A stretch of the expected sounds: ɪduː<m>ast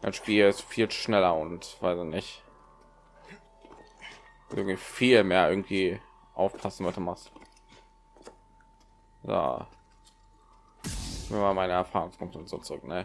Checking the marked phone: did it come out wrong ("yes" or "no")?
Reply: no